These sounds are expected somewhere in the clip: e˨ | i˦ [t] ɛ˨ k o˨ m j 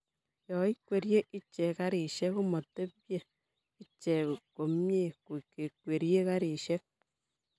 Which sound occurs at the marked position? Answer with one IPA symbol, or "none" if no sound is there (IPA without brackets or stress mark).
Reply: t͡ʃ